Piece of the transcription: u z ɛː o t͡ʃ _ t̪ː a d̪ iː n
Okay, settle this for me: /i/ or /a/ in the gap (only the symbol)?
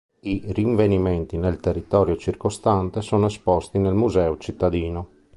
i